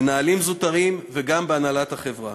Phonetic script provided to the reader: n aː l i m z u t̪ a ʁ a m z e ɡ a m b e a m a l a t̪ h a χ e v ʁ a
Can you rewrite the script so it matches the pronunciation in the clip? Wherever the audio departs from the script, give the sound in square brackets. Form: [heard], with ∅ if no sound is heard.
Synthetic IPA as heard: n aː l i m z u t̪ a ʁ [i] m [v] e ɡ a m b e a [n] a l a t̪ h a χ e v ʁ a